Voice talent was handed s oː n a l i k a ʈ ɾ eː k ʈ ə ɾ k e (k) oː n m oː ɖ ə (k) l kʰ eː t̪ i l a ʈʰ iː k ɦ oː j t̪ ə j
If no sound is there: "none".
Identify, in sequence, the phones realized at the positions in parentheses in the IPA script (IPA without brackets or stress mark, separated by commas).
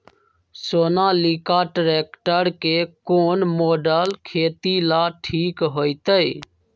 k, none